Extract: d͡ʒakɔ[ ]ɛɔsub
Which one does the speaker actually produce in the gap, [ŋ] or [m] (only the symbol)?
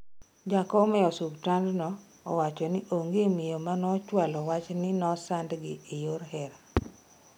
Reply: m